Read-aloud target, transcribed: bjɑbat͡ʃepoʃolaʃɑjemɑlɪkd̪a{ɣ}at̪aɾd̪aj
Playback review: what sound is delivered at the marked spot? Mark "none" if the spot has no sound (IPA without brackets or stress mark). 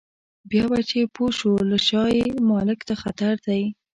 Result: x